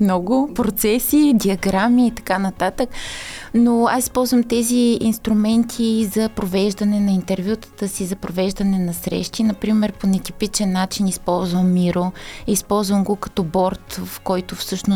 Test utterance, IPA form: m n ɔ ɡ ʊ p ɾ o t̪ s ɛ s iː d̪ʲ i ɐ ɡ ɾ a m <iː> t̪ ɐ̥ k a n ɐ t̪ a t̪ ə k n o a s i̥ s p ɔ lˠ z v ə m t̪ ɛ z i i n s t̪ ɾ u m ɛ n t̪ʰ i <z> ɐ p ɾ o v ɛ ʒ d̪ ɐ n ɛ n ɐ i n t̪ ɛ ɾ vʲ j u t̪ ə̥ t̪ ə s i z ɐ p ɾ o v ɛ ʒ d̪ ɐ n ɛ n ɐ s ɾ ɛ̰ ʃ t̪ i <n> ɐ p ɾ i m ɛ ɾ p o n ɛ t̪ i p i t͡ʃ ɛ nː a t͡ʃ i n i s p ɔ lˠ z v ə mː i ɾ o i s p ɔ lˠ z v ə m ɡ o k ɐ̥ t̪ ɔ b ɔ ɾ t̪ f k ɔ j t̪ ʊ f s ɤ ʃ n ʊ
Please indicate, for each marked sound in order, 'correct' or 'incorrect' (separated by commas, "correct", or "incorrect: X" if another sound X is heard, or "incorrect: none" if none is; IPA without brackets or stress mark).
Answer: correct, correct, correct